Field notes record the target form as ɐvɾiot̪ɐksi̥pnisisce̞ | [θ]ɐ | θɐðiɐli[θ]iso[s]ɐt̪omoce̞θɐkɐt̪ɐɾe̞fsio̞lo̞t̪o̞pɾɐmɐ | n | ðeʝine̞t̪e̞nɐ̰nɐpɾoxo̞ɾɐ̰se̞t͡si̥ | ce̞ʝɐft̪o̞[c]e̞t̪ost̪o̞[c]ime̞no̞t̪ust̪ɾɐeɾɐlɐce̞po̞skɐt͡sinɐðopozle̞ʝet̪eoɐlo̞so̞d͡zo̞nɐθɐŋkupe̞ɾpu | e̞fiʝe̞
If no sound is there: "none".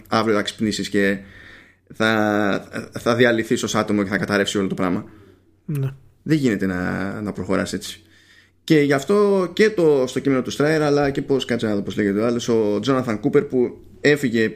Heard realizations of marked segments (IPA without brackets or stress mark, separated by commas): θ, θ, s, c, c